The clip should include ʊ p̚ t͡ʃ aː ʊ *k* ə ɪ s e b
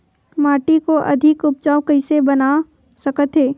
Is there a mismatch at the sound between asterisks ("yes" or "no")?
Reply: no